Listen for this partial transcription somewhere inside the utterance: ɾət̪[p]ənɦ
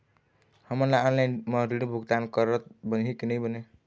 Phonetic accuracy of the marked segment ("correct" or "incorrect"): incorrect